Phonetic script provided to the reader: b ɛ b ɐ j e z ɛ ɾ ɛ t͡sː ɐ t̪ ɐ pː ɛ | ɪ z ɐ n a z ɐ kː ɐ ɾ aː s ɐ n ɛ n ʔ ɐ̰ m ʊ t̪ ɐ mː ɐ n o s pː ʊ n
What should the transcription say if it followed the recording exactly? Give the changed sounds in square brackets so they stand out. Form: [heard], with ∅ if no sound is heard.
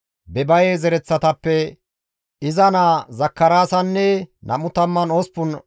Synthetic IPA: b ɛ b ɐ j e z ɛ ɾ ɛ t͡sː ɐ t̪ ɐ pː ɛ | ɪ z ɐ n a z ɐ kː ɐ ɾ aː s ɐ [nː] ɛ n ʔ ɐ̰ m ʊ t̪ ɐ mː ɐ n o s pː ʊ n